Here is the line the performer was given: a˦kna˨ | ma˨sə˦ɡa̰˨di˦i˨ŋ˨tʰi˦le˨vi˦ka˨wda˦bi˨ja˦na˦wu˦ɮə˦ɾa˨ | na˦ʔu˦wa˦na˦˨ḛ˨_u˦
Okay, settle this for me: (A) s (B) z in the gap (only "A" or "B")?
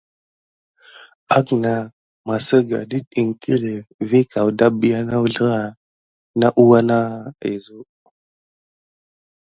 B